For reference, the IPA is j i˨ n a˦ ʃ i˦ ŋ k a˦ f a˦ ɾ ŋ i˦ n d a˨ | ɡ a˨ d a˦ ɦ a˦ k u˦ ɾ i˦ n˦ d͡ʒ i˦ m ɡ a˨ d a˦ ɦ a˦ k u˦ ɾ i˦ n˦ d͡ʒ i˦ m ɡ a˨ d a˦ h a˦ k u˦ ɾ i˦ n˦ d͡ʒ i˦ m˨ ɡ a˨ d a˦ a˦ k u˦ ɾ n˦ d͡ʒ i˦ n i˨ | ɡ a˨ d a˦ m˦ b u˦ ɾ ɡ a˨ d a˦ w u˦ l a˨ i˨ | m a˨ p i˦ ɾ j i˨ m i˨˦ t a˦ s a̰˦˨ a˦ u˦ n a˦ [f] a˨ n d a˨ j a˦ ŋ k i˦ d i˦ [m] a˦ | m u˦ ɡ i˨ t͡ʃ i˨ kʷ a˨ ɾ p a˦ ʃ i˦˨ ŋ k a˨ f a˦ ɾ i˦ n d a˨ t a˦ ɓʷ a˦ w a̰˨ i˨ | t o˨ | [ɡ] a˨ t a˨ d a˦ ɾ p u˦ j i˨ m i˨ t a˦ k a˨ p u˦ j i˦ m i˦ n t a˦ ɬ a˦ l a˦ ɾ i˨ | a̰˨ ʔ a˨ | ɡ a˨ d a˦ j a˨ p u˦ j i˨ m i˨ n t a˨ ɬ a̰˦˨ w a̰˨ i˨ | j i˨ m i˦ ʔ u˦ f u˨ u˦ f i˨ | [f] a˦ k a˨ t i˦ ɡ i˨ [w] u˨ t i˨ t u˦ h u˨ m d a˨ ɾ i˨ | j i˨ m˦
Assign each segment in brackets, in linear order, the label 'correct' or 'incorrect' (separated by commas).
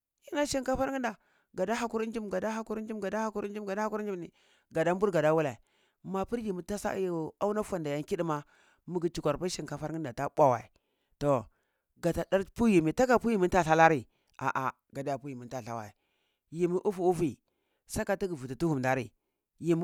correct, correct, correct, incorrect, incorrect